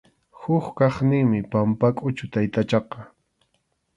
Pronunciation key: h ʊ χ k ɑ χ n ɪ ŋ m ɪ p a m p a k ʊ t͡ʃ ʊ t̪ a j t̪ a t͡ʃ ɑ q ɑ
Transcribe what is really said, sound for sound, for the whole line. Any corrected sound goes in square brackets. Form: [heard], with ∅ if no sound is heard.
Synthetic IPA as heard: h ʊ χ k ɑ χ n ɪ ŋ m ɪ p a m p a [kʼ] ʊ t͡ʃ ʊ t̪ a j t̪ a t͡ʃ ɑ q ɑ